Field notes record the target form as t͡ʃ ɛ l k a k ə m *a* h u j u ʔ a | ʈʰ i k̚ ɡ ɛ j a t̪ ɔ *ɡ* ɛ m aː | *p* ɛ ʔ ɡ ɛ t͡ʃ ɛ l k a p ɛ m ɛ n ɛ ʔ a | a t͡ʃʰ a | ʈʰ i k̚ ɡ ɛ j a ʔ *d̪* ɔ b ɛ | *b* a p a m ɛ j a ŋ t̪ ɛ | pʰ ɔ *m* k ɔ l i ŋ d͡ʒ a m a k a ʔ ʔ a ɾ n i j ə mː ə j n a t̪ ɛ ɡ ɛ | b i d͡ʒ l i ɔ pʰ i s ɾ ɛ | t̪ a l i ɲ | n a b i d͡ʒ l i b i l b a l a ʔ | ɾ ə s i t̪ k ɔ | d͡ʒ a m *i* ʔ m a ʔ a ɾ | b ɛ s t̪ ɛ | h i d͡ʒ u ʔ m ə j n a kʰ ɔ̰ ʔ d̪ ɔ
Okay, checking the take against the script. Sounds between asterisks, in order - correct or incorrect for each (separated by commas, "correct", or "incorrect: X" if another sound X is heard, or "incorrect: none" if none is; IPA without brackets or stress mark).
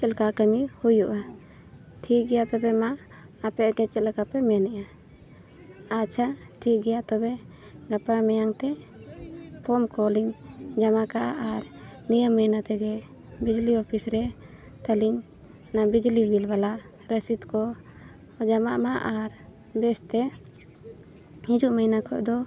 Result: incorrect: i, incorrect: b, correct, incorrect: t̪, incorrect: ɡ, correct, incorrect: a